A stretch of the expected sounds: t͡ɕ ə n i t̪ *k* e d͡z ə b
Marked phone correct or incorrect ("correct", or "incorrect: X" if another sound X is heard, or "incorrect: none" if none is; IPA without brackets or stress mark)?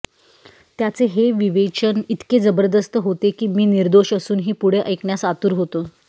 correct